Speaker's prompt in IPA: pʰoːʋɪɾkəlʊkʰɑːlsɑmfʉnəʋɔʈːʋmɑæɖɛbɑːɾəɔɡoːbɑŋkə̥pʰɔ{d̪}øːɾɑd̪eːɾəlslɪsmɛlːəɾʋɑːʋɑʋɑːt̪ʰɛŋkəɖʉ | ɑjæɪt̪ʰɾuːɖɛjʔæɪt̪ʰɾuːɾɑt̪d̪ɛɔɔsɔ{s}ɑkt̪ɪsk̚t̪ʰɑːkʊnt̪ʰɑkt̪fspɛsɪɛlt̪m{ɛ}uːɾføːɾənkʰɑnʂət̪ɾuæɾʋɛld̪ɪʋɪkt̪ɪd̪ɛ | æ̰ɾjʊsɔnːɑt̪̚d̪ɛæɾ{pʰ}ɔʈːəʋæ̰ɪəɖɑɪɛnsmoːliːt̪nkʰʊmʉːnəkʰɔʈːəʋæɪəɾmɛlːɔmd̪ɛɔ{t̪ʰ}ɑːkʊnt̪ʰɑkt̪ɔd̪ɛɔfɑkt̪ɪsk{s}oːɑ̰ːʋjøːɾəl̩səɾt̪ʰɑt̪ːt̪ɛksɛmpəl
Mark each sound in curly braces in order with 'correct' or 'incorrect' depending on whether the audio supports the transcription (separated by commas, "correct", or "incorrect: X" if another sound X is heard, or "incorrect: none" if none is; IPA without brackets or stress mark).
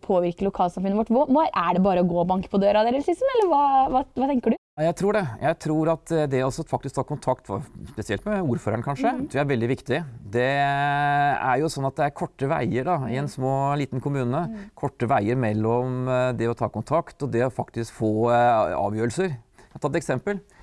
correct, incorrect: f, correct, incorrect: kʰ, correct, incorrect: f